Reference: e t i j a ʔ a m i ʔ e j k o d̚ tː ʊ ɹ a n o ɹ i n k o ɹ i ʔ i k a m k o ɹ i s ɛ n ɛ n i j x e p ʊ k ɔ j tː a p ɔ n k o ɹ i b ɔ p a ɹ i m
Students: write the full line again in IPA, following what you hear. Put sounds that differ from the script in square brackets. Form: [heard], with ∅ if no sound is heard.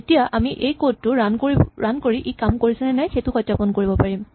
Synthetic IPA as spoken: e t i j a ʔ a m i ʔ e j k o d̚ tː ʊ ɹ a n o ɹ [a] n k o ɹ i ʔ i k a m k o ɹ i s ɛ n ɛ n [a] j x e [t] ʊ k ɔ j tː a p ɔ n k o ɹ i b ɔ p a ɹ i m